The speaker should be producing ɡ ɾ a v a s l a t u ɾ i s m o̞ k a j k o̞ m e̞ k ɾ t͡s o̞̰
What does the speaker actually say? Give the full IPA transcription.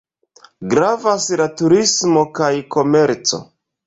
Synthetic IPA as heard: ɡ ɾ a v a s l a t u ɾ i s m o̞ k a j k o̞ m e̞ ɾ t͡s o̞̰